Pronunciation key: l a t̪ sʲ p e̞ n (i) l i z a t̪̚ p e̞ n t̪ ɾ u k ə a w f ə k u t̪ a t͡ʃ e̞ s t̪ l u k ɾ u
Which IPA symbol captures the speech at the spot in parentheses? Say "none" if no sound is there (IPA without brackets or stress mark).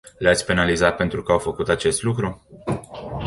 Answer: a